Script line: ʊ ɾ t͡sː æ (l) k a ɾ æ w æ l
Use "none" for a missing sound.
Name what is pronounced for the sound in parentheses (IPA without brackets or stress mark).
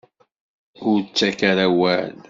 none